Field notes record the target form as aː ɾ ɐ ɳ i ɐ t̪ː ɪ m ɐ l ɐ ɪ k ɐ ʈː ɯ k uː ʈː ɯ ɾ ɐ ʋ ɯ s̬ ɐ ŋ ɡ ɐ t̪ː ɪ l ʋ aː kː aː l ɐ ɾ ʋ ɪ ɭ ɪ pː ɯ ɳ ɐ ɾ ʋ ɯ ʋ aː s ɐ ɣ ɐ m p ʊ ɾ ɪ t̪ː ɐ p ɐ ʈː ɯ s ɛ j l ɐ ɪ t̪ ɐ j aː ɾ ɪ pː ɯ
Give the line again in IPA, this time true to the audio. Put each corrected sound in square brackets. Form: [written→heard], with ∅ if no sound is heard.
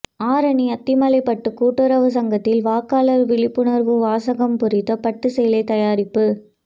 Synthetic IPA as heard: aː ɾ ɐ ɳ i ɐ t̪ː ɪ m ɐ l ɐ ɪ [k→p] ɐ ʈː ɯ k uː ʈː ɯ ɾ ɐ ʋ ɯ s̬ ɐ ŋ ɡ ɐ t̪ː ɪ l ʋ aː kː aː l ɐ ɾ ʋ ɪ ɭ ɪ pː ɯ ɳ ɐ ɾ ʋ ɯ ʋ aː s ɐ ɣ ɐ m p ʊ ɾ ɪ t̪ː ɐ p ɐ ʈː ɯ s ɛ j l ɐ ɪ t̪ ɐ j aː ɾ ɪ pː ɯ

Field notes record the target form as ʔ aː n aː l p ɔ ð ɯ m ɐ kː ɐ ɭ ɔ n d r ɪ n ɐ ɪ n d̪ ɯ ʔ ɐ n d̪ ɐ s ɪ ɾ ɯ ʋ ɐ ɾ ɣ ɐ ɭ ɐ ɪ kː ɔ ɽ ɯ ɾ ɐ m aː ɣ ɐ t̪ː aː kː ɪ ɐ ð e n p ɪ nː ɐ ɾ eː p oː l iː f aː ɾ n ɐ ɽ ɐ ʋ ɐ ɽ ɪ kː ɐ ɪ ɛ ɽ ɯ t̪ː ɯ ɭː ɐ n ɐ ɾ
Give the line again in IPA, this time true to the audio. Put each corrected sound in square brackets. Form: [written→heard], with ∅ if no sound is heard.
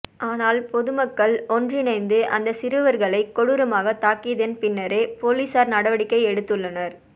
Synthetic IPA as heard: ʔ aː n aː l p ɔ ð ɯ m ɐ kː ɐ ɭ ɔ n d r ɪ n ɐ ɪ n d̪ ɯ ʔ ɐ n d̪ ɐ s ɪ ɾ ɯ ʋ ɐ ɾ ɣ ɐ ɭ ɐ ɪ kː ɔ ɽ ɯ ɾ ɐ m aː ɣ ɐ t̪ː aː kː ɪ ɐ ð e n p ɪ nː ɐ ɾ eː p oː l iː [f→s] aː ɾ n ɐ ɽ ɐ ʋ ɐ ɽ ɪ kː ɐ ɪ ɛ ɽ ɯ t̪ː ɯ ɭː ɐ n ɐ ɾ

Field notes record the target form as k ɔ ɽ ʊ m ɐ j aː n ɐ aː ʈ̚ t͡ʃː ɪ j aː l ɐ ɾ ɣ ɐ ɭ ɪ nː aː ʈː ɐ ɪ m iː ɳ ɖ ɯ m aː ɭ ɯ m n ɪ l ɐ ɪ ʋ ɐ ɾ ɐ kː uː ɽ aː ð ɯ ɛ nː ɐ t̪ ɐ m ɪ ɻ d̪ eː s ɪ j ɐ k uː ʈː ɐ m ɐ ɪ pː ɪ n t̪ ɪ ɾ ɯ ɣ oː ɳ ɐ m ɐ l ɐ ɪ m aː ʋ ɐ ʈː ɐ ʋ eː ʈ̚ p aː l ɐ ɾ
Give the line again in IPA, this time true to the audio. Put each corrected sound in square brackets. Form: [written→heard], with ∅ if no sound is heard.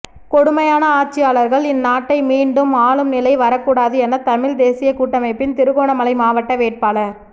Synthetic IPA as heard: k ɔ ɽ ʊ m ɐ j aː n ɐ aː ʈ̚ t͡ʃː ɪ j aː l ɐ ɾ ɣ ɐ ɭ ɪ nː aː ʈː ɐ ɪ m iː ɳ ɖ ɯ m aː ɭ ɯ m n ɪ l ɐ ɪ ʋ ɐ ɾ ɐ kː uː ɽ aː ð ɯ ɛ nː ɐ t̪ ɐ m ɪ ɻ d̪ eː s ɪ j ɐ k uː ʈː ɐ m ɐ ɪ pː ɪ n t̪ ɪ ɾ ɯ ɣ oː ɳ ɐ m ɐ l ɐ ɪ m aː ʋ ɐ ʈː ɐ ʋ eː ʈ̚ p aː l ɐ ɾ

